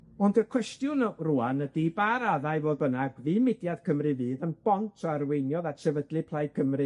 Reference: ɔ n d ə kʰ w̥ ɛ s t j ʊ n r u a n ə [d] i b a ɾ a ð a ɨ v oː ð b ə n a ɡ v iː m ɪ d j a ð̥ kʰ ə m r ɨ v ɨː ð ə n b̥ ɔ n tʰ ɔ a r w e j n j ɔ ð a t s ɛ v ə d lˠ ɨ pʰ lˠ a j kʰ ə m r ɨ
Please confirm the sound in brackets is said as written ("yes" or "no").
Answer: yes